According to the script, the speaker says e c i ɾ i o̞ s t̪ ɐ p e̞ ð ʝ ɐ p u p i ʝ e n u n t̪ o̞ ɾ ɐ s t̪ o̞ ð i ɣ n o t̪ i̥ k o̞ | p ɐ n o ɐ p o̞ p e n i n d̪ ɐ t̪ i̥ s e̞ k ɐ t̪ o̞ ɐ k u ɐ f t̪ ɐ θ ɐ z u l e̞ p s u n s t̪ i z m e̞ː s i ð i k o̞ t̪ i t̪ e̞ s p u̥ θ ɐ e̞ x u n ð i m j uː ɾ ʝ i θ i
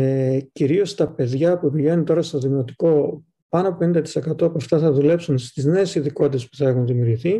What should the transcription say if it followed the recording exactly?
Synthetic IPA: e c i ɾ i o̞ s t̪ ɐ p e̞ ð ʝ ɐ p u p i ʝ e n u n t̪ o̞ ɾ ɐ s t̪ o̞ ð i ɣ n o t̪ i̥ k o̞ | p ɐ n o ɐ p o̞ p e n i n d̪ ɐ t̪ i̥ s e̞ k ɐ t̪ o̞ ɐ p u ɐ f t̪ ɐ θ ɐ ð u l e̞ p s u n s t̪ i z n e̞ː s i ð i k o̞ t̪ i t̪ e̞ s p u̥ θ ɐ e̞ x u n ð i m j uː ɾ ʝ i θ i